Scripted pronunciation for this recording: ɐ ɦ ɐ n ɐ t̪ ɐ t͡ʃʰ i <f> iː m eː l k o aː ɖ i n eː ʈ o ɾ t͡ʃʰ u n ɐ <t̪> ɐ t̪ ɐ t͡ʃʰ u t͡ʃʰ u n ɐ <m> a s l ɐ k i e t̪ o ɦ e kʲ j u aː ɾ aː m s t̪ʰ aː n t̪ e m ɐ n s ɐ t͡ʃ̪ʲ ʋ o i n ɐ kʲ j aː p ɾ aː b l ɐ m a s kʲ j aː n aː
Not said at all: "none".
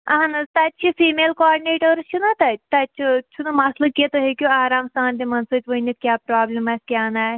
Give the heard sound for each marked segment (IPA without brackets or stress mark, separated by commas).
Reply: f, t̪, m